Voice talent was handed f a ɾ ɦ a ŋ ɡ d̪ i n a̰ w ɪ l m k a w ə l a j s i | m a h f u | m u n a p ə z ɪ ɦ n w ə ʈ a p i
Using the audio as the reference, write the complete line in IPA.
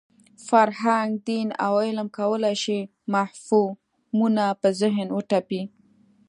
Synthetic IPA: f a ɾ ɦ a ŋ ɡ d̪ i n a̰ w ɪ l m k a w ə l a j ʃ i | m a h f u | m u n a p ə z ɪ ɦ n w ə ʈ a p i